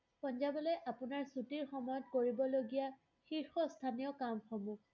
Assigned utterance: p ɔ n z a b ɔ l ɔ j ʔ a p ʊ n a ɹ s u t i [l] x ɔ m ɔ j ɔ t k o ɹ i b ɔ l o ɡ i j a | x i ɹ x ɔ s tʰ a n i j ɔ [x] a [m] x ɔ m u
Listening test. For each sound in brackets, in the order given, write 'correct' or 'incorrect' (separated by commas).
incorrect, incorrect, correct